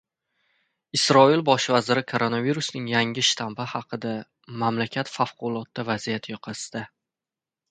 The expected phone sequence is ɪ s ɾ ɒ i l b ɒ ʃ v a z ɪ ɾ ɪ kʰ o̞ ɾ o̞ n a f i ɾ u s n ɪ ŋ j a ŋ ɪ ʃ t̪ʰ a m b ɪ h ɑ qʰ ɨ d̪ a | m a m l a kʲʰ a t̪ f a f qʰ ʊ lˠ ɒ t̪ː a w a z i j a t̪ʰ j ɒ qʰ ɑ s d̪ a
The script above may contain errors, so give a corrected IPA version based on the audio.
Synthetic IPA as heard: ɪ s ɾ ɒ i l b ɒ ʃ v a z ɪ ɾ ɪ kʰ o̞ ɾ o̞ n a v i ɾ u s n ɪ ŋ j a ŋ ɪ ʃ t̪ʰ a m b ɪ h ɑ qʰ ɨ d̪ a | m a m l a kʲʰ a t̪ f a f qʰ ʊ lˠ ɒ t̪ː a v a z i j a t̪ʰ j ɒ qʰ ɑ s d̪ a

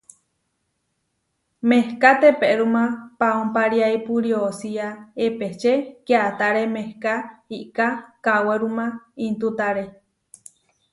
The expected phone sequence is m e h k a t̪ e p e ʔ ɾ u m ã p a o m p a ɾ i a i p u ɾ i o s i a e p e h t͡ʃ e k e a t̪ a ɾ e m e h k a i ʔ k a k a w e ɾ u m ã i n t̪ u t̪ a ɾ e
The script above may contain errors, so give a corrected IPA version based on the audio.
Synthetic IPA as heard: m e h k a t̪ e p e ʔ ɾ u m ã p a o m p a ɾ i a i p u ɾ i o s i a e p e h t͡ʃ e k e a t̪ a ɾ e m e h k a i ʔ k a k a w e ɾ u m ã i n t̪ u t̪ a ɾ e

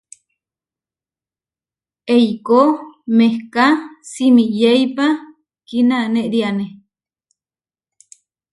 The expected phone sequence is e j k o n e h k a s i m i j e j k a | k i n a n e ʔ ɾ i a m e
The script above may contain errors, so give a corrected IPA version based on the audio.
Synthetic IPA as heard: e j k o m e h k a s i m i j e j p a | k i n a n e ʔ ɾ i a n e

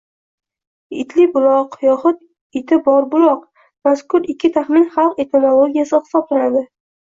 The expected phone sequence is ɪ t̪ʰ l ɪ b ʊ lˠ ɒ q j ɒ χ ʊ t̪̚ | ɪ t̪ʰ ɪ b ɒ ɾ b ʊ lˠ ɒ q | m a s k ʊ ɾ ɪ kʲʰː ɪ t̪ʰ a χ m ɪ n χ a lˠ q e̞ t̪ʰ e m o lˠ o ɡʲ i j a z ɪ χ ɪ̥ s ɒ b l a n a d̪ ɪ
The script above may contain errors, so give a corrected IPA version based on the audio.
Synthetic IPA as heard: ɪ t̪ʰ l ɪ b ʊ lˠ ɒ q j ɒ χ ʊ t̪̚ | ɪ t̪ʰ ɪ b ɒ ɾ b ʊ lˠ ɒ q | m a s k ʊ ɾ ɪ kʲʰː ɪ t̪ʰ a χ m ɪ n χ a lˠ q e̞ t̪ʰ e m o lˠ o ɡʲ i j a s ɪ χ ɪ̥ s ɒ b l a n a d̪ ɪ

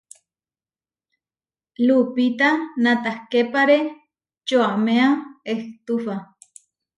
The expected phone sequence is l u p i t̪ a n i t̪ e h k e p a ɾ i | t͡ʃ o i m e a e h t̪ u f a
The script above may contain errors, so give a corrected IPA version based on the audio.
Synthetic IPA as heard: l u p i t̪ a n a t̪ a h k e p a ɾ e | t͡ʃ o a m e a e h t̪ u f a

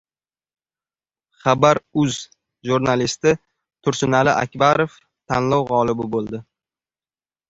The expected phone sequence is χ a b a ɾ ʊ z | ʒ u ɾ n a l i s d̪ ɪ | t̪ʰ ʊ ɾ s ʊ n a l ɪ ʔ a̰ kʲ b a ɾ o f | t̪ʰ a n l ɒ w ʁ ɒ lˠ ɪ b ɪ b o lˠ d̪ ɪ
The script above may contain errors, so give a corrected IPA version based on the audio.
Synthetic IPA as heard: χ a b a ɾ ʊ z | ʒ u ɾ n a l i s t̪ ɪ | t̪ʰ ʊ ɾ s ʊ n a l ɪ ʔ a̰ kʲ b a ɾ o f | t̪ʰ a n l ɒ w ʁ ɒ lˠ ɪ b ɪ b o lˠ d̪ ɪ

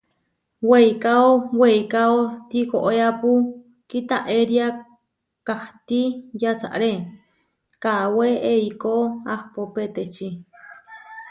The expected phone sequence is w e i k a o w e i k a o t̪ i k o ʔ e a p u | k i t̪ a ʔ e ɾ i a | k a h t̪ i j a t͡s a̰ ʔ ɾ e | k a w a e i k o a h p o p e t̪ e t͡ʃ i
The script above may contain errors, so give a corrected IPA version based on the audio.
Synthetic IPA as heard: w e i k a o w e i k a o t̪ i k o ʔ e a p u | k i t̪ a ʔ e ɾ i a | k a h t̪ i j a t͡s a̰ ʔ ɾ e | k a w e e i k o a h p o p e t̪ e t͡ʃ i

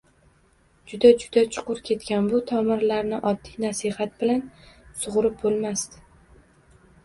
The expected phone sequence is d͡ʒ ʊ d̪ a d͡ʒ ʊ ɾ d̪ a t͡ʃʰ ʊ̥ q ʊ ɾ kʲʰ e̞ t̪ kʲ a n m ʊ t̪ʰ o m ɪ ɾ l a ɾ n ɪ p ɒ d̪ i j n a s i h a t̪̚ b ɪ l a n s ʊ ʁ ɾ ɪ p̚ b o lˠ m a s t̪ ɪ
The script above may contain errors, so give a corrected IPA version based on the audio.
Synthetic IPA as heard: d͡ʒ ʊ d̪ a d͡ʒ ʊ d̪ a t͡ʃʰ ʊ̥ q ʊ ɾ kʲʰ e̞ t̪ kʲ a n b ʊ t̪ʰ ɒ m ɪ ɾ l a ɾ n ɪ ʔ ɒ d̪ː i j n a s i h a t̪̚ b ɪ l a n s ʊ ʁ ɾ ɪ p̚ b o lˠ m a s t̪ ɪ

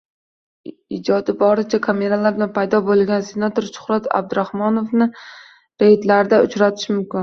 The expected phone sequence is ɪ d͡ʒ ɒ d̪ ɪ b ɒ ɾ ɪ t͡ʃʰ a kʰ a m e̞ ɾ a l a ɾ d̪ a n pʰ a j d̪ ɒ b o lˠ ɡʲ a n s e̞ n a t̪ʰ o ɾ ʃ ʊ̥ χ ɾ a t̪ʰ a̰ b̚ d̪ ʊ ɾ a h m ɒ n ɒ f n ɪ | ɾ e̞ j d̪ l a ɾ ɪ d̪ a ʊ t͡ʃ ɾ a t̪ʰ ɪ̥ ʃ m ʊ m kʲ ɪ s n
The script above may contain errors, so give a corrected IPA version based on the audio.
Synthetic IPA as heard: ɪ d͡ʒ ɒ d̪ ɪ b ɒ ɾ ɪ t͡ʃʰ a kʰ a m e̞ ɾ a l a ɾ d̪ a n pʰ a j d̪ ɒ b o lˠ ɡʲ a n s e̞ n a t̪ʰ o ɾ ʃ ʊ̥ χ ɾ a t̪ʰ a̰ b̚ d̪ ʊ ɾ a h m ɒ n o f n ɪ | ɾ e̞ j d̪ l a ɾ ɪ d̪ a ʊ t͡ʃ ɾ a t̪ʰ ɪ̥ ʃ m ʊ m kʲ ɪ n

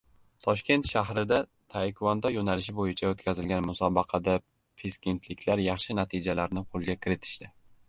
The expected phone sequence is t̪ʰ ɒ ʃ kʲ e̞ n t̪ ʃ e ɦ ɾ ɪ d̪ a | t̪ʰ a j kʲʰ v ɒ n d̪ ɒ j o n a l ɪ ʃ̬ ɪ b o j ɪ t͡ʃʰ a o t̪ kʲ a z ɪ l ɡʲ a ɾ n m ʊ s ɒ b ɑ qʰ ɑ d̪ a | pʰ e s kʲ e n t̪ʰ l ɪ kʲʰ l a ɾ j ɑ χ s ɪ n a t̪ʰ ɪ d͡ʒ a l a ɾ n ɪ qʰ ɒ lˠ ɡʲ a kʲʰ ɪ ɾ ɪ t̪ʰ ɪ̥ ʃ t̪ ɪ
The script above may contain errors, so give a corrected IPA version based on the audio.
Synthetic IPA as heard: t̪ʰ ɒ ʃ kʲ e̞ n t̪ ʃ a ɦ ɾ ɪ d̪ a | t̪ʰ a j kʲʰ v ɒ n d̪ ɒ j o n a l ɪ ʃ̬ ɪ b o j ɪ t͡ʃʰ a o t̪ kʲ a z ɪ l ɡʲ a n m ʊ s ɒ b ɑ qʰ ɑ d̪ a | pʰ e s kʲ e n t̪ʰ l ɪ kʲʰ l a ɾ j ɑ χ ʃ ɪ n a t̪ʰ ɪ d͡ʒ a l a ɾ n ɪ qʰ o lˠ ɡʲ a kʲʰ ɪ ɾ ɪ t̪ʰ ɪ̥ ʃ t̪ ɪ

